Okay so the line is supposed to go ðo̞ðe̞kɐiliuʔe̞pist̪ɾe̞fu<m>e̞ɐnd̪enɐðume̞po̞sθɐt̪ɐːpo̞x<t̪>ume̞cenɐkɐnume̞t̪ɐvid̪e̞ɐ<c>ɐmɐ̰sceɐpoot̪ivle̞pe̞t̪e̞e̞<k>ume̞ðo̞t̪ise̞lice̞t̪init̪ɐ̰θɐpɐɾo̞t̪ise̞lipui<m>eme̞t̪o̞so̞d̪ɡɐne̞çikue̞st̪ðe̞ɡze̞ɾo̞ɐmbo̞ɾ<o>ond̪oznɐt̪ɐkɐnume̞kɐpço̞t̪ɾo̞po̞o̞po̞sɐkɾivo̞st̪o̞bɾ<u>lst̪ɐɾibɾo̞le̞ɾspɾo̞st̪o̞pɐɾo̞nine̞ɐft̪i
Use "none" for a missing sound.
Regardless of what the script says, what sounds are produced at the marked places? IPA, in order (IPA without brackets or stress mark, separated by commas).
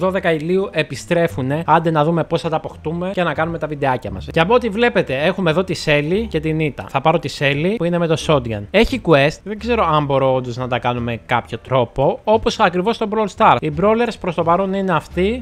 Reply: n, t̪, c, x, n, o, o